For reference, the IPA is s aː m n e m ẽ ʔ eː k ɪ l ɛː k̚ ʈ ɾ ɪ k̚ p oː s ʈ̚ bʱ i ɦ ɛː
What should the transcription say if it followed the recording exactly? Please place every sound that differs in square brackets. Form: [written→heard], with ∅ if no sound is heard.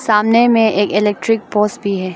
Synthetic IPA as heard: s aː m n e m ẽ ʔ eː k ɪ l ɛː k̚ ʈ ɾ ɪ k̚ p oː s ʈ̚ bʱ i ɦ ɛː